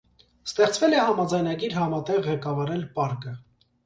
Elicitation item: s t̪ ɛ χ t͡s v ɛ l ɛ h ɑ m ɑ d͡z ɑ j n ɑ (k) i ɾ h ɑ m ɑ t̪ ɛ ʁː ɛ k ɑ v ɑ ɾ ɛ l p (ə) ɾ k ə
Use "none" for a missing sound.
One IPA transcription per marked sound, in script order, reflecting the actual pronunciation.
ɡ, ɑ

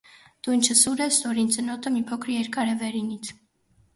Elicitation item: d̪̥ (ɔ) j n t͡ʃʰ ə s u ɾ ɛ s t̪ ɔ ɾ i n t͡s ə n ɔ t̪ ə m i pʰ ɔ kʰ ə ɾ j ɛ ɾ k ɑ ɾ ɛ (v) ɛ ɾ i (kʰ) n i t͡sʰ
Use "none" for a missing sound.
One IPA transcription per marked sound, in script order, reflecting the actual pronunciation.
u, v, none

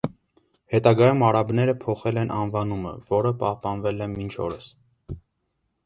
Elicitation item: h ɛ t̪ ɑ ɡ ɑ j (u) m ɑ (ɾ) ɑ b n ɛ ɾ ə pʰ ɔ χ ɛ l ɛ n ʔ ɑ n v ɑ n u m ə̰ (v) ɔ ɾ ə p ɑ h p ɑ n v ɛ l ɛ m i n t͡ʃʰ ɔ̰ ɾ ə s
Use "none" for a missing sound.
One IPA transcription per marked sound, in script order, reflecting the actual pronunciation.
u, ɾ, v

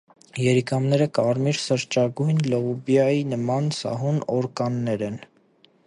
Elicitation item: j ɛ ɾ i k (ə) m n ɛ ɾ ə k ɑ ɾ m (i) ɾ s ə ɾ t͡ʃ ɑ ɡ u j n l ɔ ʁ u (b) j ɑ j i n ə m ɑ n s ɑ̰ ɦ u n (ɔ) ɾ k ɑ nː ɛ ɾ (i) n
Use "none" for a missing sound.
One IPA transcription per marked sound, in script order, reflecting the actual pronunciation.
ɑ, i, b, ɔ, ɛ

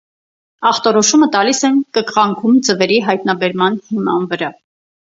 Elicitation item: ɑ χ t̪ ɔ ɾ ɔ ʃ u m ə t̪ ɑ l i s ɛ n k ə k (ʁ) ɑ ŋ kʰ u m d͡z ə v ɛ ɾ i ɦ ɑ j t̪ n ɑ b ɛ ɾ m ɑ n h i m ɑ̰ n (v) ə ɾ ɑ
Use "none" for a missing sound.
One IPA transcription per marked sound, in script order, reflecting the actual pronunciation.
ʁ, v

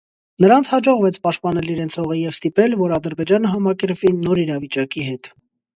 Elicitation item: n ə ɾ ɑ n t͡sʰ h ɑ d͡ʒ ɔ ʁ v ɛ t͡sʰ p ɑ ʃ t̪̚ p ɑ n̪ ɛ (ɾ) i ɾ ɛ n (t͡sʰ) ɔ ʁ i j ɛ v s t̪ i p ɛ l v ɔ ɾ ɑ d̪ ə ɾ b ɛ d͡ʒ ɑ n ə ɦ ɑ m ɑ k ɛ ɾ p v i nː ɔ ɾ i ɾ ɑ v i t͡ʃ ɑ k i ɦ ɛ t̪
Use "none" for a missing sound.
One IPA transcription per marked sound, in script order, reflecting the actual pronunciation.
l, t͡sʰ

